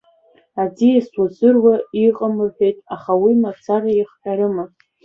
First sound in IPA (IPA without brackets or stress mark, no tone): a